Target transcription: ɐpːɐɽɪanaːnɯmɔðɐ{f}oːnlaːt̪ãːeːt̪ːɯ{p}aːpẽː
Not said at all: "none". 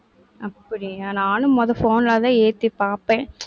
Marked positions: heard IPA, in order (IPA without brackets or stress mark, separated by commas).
f, p